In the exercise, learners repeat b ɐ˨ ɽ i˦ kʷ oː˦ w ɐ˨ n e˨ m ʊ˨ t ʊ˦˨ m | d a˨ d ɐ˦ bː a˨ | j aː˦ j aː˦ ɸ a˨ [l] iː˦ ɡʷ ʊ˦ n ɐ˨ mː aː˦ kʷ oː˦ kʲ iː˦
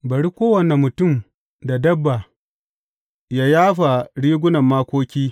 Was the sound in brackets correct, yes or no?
no